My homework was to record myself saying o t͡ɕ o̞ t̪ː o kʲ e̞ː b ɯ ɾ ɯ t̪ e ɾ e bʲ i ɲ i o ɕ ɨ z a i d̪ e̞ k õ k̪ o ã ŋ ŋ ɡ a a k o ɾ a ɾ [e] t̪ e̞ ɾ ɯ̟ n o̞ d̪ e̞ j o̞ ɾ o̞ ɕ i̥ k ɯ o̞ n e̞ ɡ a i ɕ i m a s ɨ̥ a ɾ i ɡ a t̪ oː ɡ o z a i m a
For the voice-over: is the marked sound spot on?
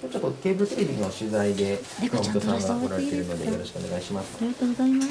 yes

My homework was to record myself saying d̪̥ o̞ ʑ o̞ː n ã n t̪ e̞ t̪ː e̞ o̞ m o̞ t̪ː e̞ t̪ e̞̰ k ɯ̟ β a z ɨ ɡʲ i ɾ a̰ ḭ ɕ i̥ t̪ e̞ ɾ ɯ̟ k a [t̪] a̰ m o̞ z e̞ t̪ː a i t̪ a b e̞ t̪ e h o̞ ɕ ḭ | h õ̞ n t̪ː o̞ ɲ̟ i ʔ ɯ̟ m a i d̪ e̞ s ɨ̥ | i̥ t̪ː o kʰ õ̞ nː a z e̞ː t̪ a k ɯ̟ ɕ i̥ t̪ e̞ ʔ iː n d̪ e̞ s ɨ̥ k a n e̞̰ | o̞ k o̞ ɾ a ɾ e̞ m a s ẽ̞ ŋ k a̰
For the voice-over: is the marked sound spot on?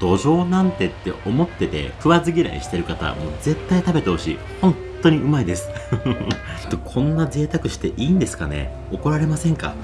yes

